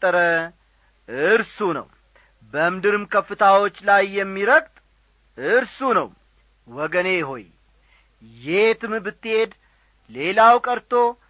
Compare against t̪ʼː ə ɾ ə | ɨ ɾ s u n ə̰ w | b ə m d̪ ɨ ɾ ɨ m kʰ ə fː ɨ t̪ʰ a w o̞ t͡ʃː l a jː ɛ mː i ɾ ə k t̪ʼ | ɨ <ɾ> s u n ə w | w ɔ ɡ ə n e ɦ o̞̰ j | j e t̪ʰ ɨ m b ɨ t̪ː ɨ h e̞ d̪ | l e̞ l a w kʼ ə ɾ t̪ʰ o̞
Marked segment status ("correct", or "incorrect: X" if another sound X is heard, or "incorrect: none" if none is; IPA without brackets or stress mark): correct